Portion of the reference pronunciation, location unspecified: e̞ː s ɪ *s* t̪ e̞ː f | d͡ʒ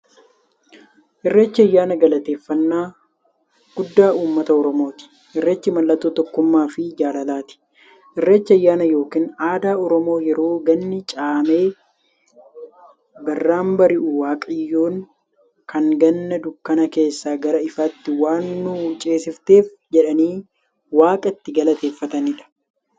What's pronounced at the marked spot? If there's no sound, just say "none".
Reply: f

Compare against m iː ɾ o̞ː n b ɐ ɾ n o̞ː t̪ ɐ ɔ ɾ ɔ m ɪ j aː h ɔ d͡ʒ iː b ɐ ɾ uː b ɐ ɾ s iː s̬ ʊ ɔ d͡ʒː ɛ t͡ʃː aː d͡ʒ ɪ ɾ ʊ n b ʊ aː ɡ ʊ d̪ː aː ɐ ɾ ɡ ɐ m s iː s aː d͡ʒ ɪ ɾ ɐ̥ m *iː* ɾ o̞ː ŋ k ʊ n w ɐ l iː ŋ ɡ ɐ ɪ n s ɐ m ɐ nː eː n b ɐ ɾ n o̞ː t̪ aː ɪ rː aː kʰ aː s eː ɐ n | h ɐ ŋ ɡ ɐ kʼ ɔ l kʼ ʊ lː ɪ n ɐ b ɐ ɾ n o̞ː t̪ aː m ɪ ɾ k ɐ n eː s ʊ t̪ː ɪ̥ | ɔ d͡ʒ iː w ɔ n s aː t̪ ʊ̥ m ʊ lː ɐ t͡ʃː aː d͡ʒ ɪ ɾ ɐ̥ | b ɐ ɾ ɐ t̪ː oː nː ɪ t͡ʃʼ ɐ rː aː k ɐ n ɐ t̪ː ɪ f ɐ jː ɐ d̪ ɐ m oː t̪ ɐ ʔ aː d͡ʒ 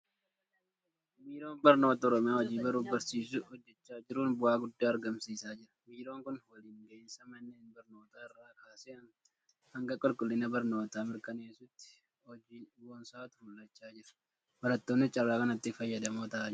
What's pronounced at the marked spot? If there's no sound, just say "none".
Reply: iː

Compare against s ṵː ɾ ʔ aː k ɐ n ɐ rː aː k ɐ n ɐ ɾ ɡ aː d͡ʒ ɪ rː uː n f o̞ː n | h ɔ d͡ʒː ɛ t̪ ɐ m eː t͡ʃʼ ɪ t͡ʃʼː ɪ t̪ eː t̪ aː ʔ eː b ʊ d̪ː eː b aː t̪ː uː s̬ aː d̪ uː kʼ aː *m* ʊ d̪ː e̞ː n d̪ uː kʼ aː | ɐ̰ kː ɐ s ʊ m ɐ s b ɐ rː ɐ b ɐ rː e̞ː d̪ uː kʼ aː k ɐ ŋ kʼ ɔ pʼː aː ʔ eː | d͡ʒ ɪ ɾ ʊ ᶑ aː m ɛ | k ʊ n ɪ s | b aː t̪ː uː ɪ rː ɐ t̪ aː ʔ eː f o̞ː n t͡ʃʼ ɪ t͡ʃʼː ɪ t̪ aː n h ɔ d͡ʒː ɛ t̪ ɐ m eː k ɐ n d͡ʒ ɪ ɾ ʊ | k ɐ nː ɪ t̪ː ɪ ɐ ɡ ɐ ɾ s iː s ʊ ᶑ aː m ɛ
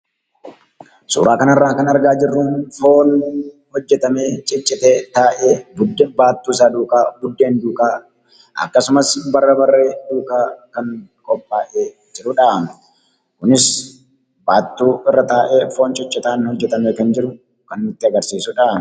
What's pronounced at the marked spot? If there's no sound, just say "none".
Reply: b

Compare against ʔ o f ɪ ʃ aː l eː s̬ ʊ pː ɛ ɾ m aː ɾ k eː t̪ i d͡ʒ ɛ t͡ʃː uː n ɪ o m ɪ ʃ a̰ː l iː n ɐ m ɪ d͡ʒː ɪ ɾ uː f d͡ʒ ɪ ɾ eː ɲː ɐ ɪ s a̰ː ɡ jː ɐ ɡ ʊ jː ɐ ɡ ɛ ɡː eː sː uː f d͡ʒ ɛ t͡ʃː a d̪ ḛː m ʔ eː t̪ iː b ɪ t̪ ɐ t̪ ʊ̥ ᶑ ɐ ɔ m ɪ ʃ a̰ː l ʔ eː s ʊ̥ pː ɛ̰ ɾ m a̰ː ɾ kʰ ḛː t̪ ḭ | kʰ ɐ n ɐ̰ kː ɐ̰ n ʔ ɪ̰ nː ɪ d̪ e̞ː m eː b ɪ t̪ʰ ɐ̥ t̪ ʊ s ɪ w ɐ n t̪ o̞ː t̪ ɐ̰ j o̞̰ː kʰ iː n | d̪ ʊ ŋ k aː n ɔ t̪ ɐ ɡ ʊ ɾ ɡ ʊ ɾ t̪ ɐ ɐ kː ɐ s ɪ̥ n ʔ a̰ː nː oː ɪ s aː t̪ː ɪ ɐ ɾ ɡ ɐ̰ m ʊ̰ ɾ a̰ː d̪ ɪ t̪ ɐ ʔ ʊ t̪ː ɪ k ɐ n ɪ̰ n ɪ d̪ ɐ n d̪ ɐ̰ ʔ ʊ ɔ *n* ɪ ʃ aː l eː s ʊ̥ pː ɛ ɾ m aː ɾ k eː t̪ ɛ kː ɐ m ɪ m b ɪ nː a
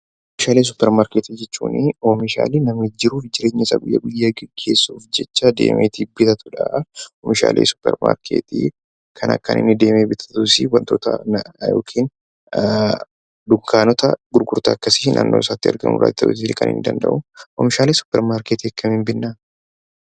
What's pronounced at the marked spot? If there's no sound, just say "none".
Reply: m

